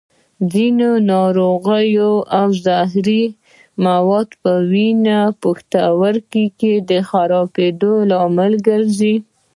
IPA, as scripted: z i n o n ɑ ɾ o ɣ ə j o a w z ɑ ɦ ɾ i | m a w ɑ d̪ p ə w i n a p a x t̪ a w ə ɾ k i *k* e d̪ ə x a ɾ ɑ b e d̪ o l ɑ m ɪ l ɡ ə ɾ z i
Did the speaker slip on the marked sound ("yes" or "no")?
no